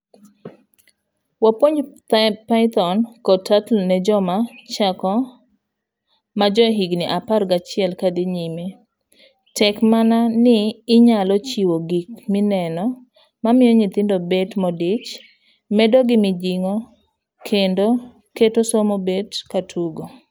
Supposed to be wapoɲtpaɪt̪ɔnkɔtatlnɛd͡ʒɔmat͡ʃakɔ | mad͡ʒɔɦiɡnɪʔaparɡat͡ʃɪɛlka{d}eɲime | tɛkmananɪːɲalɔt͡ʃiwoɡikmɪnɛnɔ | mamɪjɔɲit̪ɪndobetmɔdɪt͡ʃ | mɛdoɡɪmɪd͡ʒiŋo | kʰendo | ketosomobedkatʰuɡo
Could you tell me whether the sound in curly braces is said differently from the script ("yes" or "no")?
no